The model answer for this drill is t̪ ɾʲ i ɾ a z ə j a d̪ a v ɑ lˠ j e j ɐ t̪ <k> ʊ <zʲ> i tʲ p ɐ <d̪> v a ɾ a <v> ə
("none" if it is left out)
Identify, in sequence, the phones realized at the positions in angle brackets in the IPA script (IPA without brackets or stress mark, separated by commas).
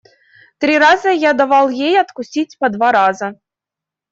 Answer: k, sʲ, d̪, z